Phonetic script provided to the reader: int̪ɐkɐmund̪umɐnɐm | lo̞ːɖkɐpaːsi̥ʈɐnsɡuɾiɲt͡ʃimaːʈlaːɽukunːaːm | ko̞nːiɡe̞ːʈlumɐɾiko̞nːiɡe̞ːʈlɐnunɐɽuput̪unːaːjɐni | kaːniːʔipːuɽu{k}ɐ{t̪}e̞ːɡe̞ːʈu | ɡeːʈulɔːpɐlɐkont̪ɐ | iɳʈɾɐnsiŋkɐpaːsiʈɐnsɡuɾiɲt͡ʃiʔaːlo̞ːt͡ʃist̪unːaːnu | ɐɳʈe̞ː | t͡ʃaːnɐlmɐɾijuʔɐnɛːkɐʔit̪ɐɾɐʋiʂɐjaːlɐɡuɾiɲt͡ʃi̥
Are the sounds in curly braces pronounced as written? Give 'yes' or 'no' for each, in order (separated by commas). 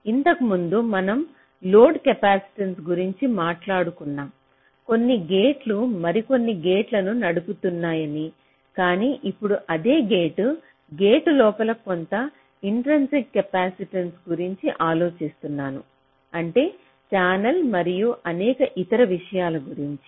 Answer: no, no